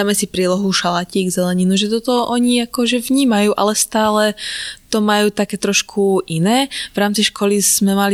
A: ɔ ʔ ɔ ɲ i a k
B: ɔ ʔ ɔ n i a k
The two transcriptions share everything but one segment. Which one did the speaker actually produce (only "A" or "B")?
A